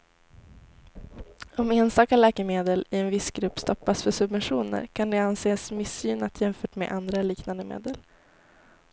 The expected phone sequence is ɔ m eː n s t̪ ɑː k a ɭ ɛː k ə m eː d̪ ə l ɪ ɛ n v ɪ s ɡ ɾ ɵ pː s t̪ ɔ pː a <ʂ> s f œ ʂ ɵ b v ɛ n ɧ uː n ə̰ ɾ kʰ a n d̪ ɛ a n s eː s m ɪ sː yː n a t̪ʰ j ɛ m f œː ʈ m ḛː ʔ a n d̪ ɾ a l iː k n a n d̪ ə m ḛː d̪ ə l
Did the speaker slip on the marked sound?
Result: yes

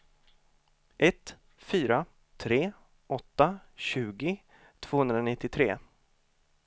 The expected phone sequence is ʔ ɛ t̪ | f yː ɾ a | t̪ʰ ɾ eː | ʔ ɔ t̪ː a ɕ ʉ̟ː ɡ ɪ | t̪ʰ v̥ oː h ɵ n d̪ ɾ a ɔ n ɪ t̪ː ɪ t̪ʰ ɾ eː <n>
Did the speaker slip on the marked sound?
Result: yes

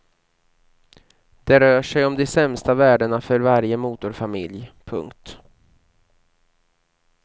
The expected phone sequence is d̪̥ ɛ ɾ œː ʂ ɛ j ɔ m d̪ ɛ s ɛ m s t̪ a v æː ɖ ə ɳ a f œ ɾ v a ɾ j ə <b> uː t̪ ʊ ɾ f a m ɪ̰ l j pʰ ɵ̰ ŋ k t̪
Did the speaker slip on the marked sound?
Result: yes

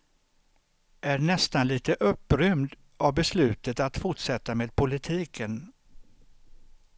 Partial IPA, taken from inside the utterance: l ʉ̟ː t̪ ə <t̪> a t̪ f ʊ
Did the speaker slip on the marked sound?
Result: no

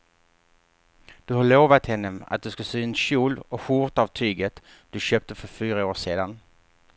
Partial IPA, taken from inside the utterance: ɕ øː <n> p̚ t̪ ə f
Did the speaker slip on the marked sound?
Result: yes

